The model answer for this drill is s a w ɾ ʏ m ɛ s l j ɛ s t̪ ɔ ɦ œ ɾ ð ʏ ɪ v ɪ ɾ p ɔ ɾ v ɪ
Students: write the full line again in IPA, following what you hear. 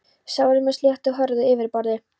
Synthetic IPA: s a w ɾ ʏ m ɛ s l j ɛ h t̪ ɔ ɦ œ ɾ ð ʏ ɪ v ɪ ɾ p ɔ ɾ ð ɪ